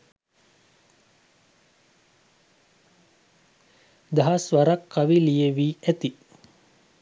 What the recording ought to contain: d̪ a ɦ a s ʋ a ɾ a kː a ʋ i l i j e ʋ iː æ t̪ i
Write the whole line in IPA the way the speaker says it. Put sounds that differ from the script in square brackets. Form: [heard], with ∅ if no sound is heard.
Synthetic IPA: d̪ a ɦ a s ʋ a ɾ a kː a ʋ i l i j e ʋ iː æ t̪ i